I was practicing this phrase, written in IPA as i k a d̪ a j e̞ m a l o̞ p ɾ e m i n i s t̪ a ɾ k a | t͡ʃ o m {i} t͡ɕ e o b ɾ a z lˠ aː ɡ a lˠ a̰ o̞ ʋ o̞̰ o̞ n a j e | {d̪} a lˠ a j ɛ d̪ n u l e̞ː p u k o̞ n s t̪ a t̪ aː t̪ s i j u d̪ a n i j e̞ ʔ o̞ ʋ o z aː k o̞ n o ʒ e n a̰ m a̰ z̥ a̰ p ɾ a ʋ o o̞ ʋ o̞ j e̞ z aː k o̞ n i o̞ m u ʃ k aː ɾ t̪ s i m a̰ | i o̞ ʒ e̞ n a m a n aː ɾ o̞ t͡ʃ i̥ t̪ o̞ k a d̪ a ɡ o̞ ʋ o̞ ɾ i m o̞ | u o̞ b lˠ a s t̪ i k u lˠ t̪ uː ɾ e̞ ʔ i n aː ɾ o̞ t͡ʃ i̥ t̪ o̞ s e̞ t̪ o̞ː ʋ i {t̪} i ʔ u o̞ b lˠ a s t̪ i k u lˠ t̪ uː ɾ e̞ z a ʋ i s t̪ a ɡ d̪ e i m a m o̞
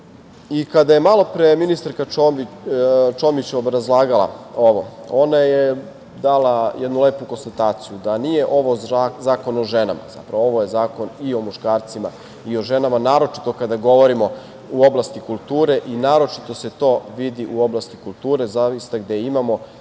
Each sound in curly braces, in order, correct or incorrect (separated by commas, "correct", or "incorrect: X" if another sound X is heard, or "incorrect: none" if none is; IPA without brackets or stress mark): correct, correct, incorrect: d̪